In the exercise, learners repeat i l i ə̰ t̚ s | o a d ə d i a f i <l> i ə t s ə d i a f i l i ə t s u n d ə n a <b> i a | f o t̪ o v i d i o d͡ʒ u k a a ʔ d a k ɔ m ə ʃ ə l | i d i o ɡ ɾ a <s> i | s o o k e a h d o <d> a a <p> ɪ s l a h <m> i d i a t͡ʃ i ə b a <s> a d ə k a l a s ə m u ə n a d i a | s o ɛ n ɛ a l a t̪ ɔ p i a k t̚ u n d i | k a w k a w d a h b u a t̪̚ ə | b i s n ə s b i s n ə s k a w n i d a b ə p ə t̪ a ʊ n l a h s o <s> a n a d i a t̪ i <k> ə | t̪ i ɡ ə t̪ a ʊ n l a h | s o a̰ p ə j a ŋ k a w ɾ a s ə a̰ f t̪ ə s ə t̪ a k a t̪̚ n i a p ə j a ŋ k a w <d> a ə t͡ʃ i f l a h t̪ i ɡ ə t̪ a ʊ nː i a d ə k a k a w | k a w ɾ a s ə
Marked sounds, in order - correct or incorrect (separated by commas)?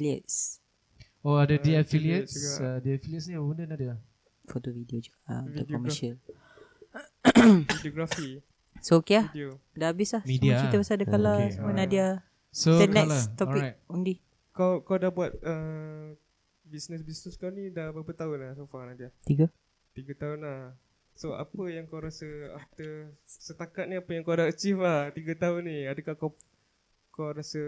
correct, incorrect, incorrect, correct, incorrect, correct, correct, incorrect, incorrect, correct